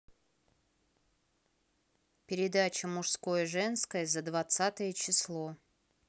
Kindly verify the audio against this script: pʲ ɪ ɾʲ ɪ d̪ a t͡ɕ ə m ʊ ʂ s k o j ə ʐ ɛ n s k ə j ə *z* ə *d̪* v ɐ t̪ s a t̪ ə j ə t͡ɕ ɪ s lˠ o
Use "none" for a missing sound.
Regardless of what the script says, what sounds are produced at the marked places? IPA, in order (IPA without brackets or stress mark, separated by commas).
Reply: z, d̪